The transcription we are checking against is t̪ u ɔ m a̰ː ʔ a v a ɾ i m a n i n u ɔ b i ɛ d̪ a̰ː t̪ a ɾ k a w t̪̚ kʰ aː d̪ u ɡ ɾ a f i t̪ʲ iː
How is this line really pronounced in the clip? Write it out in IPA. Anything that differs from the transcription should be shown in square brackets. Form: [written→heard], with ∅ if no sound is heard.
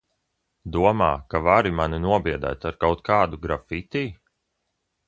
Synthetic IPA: [t̪→d̪] u ɔ m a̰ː [ʔ→k] a v a ɾ i m a n i n u ɔ b i ɛ d̪ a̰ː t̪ a ɾ k a w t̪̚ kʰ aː d̪ u ɡ ɾ a f i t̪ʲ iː

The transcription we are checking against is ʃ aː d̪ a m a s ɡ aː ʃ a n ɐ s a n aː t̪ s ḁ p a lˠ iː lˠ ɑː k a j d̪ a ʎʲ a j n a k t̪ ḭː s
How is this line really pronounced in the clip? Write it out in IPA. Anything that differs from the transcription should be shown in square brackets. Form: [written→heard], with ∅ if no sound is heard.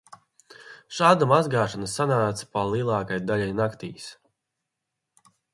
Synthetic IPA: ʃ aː d̪ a m a [s→z] ɡ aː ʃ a n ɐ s a n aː t̪ s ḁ p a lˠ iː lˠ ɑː k a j d̪ a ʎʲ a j n a k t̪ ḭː s

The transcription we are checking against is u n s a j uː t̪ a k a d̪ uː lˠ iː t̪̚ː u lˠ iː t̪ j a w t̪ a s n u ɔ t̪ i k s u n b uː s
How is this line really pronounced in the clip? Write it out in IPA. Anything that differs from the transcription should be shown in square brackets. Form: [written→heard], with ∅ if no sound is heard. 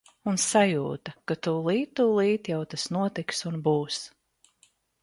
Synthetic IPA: u n s a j uː t̪ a k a [d̪→t̪] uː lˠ iː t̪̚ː u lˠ iː t̪ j a w t̪ a s n u ɔ t̪ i k s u n b uː s

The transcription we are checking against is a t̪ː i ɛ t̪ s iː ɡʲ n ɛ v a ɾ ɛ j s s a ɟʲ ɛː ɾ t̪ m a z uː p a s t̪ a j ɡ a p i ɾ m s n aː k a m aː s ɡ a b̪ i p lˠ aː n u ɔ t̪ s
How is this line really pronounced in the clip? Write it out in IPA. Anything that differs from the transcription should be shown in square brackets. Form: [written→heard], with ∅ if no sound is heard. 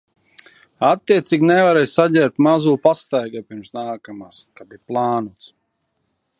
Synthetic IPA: a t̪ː i ɛ t̪ s iː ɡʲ n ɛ v a ɾ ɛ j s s a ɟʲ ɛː ɾ t̪ m a z uː p a s t̪ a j ɡ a p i ɾ m s n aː k a m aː s [ɡ→k] a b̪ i p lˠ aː n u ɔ t̪ s

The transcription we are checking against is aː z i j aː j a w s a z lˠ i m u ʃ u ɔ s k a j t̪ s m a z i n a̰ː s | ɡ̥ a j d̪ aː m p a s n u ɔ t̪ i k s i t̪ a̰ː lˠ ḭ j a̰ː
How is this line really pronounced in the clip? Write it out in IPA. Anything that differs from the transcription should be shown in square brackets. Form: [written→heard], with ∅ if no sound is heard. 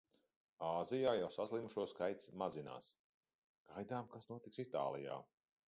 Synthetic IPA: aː z i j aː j a w s a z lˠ i m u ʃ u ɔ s k a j t̪ s m a z i n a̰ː s | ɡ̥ a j d̪ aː m [p→k] a s n u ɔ t̪ i k s i t̪ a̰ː lˠ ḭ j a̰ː

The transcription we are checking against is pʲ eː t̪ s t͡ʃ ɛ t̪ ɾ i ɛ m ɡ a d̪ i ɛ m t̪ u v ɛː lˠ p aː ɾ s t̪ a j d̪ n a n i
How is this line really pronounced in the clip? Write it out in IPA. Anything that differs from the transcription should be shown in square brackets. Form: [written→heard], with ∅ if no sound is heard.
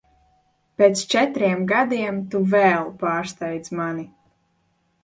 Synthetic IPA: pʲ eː t̪ s t͡ʃ ɛ t̪ ɾ i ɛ m ɡ a d̪ i ɛ m t̪ u v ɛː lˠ p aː ɾ s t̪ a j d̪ [n→m] a n i

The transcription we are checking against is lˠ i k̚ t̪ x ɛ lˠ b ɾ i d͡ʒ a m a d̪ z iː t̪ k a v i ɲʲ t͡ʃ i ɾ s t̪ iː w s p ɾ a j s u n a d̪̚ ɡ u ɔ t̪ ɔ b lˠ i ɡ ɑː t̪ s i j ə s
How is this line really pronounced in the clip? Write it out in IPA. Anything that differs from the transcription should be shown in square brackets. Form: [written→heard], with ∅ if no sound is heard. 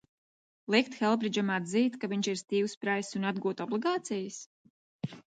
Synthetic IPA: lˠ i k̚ t̪ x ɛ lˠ b ɾ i d͡ʒ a m a d̪ z iː t̪ k a v i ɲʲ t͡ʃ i ɾ s t̪ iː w s p ɾ a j s u n a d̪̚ ɡ u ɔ t̪ ɔ b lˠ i ɡ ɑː t̪ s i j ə s

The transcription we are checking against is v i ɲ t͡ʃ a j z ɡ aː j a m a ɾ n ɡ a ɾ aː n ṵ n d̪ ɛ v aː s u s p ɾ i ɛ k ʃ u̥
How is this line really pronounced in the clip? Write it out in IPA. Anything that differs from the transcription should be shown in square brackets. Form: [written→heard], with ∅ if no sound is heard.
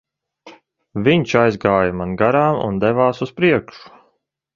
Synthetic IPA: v i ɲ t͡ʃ a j z ɡ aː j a m a [ɾ→∅] n ɡ a ɾ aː [n→m] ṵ n d̪ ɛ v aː s u s p ɾ i ɛ k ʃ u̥

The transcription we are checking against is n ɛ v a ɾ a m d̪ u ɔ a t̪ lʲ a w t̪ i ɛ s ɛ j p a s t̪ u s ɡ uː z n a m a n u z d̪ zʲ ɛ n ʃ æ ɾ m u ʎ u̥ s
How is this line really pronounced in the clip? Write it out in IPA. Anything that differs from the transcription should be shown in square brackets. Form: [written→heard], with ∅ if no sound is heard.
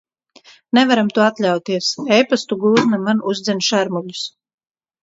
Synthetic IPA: n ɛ v a ɾ a m [d̪→t̪] u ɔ a t̪ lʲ a w t̪ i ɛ s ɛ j p a s t̪ u [s→∅] ɡ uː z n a m a n u z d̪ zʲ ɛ n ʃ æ ɾ m u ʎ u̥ s

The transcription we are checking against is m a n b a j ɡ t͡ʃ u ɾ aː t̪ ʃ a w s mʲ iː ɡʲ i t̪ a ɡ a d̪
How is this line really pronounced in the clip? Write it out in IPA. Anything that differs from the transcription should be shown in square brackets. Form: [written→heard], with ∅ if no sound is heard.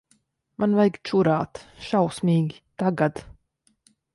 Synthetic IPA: m a n [b→v] a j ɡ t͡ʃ u ɾ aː t̪ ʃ a w s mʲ iː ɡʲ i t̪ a ɡ a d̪

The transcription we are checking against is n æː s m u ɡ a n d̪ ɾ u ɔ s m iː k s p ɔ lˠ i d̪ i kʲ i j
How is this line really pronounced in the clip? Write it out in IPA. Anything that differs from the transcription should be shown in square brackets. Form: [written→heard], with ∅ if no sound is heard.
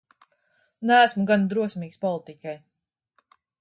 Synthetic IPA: n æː s m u ɡ a n d̪ ɾ u ɔ s m iː k s p ɔ lˠ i [d̪→t̪] i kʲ [i→a] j

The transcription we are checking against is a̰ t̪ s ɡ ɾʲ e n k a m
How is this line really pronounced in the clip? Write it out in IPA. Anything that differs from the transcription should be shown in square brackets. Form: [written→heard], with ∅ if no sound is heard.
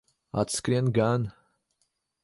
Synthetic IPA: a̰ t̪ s [ɡ→k] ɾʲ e n [k→ɡ] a [m→n]

